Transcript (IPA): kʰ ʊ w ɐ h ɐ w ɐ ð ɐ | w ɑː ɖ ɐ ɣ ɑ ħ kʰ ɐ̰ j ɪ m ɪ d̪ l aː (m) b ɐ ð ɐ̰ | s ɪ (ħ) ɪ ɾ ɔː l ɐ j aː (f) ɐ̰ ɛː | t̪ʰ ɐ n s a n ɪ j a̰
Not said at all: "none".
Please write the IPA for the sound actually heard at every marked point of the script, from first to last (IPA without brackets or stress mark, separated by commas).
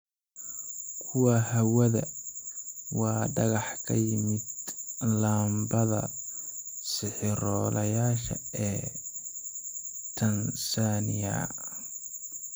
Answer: m, ħ, ʃ